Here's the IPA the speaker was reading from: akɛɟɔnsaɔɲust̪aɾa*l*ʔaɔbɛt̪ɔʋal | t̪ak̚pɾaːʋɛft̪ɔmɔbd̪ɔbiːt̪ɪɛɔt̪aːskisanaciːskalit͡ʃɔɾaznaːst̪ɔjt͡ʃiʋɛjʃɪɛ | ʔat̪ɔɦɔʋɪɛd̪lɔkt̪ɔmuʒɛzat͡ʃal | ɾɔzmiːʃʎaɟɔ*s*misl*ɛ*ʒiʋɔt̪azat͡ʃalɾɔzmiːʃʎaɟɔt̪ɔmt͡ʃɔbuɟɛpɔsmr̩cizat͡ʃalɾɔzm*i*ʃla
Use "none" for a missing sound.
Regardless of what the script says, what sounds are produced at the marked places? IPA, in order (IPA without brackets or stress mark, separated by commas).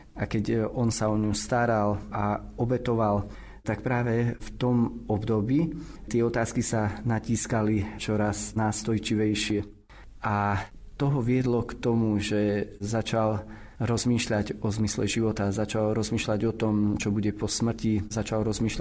l, z, ɛ, iː